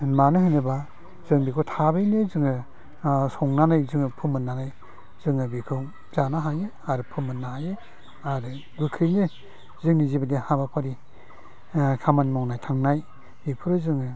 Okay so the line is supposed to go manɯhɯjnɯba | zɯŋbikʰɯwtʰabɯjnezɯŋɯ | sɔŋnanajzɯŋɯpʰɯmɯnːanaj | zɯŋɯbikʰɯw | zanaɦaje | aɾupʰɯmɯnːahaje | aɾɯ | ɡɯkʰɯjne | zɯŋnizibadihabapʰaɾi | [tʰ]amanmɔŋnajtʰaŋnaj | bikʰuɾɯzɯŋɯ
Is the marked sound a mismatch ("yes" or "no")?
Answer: yes